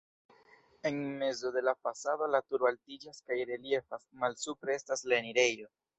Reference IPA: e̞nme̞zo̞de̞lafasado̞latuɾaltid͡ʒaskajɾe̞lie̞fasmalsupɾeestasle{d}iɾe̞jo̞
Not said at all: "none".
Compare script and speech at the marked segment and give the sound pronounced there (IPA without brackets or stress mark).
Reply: n